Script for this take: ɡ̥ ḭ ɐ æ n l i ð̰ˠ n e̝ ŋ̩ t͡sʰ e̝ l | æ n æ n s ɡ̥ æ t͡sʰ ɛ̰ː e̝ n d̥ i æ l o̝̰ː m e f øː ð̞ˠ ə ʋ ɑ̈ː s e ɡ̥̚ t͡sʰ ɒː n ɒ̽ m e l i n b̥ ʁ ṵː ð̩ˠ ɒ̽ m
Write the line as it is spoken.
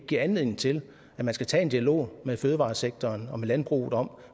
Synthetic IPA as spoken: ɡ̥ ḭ ɐ æ n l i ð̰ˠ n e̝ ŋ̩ t͡sʰ e̝ l | æ m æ n s ɡ̥ æ t͡sʰ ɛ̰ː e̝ n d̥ i æ l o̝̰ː m e f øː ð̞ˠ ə ʋ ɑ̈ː s e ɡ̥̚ t͡sʰ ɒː n ɒ̽ m e l æ n b̥ ʁ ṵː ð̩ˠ ɒ̽ m